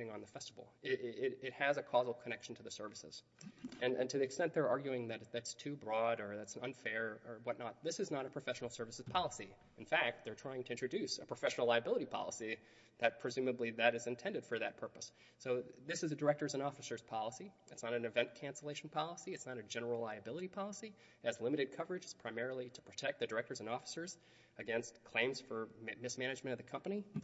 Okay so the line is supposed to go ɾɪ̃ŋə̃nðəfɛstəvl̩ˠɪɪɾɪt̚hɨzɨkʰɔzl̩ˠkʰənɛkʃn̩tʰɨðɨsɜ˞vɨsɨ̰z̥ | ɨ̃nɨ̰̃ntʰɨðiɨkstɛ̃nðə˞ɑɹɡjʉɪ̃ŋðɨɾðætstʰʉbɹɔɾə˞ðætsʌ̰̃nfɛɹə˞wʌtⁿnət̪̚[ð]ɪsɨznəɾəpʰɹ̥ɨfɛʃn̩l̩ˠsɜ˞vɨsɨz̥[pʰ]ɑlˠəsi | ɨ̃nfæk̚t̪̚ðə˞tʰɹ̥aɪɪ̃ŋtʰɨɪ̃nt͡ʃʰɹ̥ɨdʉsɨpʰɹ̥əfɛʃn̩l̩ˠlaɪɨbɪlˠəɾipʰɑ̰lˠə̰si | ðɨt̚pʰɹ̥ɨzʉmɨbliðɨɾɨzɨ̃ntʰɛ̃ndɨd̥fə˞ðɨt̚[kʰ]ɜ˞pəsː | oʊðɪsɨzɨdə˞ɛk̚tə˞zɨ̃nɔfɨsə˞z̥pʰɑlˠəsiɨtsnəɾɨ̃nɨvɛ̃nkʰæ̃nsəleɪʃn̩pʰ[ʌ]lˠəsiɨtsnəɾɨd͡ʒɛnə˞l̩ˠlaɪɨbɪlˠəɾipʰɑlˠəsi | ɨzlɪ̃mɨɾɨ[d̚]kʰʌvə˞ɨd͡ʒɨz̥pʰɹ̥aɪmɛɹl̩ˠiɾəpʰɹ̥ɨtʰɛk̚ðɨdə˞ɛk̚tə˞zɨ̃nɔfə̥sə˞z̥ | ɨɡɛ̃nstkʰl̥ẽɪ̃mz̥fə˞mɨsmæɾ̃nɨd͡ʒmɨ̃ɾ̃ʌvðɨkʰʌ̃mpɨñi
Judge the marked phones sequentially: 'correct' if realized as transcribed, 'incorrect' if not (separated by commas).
correct, correct, incorrect, incorrect, correct